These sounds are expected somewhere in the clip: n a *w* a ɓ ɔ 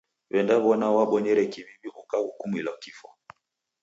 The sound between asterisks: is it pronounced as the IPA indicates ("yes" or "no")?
yes